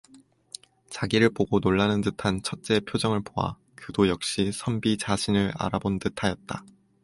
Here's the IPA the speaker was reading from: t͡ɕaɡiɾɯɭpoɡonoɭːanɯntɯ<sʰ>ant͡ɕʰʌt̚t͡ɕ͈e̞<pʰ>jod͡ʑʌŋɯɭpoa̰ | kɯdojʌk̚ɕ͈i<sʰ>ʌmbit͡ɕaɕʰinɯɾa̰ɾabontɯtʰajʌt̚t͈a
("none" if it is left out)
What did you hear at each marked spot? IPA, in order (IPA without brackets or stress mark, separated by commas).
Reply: tʰ, pʰ, sʰ